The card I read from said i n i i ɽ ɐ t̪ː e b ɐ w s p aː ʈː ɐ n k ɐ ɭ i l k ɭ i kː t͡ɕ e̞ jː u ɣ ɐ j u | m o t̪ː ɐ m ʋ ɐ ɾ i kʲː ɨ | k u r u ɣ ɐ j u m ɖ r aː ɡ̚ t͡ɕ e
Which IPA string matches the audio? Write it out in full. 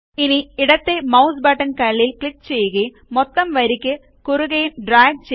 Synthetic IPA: i n i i ɽ ɐ t̪ː e m ɐ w s b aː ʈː ɐ n k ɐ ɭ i l k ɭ i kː t͡ɕ e̞ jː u ɣ ɐ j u | m o t̪ː ɐ m ʋ ɐ ɾ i kʲː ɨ | k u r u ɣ ɐ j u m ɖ r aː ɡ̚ t͡ɕ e